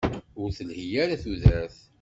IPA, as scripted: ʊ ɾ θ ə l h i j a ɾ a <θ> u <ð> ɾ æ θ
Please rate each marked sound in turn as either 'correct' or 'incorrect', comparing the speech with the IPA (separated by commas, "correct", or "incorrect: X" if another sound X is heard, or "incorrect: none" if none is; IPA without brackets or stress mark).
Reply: correct, correct